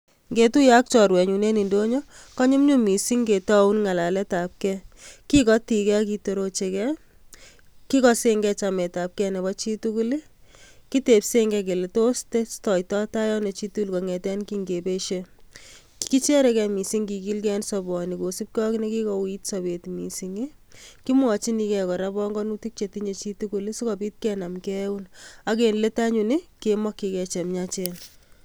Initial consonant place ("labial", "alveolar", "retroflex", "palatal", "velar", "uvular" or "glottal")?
velar